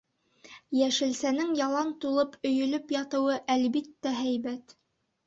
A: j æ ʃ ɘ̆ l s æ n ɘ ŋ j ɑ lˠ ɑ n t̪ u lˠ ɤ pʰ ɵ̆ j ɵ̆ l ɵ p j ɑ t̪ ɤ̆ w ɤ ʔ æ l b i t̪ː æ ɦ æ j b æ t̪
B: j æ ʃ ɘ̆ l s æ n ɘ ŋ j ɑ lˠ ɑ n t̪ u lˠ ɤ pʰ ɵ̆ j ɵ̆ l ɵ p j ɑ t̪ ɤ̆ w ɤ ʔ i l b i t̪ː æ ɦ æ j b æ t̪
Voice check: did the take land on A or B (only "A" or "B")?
A